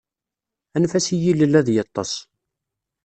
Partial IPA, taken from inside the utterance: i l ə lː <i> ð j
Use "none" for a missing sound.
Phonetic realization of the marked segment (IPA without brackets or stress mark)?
æ